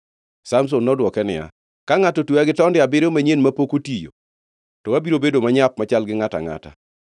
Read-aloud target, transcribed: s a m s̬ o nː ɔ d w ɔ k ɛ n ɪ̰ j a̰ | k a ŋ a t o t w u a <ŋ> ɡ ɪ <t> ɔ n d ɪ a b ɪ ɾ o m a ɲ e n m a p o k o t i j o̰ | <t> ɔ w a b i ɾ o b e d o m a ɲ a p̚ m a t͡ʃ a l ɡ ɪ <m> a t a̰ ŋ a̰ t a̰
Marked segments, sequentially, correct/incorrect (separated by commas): incorrect, correct, correct, incorrect